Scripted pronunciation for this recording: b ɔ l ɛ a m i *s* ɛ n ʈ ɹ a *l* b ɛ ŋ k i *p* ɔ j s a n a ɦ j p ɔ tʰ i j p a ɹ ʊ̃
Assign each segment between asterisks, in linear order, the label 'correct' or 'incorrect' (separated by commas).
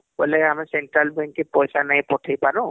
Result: correct, correct, correct